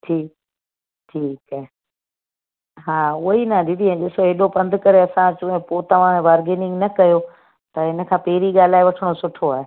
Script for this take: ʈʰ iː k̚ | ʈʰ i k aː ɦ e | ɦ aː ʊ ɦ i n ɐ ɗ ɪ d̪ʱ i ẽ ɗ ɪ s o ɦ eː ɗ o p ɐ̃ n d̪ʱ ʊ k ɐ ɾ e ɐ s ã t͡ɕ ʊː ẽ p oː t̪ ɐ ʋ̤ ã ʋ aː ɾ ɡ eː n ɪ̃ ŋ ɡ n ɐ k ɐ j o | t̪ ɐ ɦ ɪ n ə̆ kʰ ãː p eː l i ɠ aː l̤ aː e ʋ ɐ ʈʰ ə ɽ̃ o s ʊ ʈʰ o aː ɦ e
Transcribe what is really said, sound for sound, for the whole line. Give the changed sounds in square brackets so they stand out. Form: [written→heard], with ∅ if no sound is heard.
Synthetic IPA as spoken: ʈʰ iː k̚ | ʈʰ [i→iː] k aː ɦ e | ɦ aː ʊ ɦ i n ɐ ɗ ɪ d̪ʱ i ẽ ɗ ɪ s o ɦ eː ɗ o p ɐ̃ n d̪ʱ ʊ k ɐ ɾ e ɐ s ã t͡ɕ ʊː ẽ p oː t̪ ɐ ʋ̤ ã ʋ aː ɾ ɡ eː n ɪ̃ ŋ ɡ n ɐ k ɐ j o | t̪ ɐ ɦ ɪ n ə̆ kʰ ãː p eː [l→ɾ] i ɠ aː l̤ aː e ʋ ɐ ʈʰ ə ɽ̃ o s ʊ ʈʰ o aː ɦ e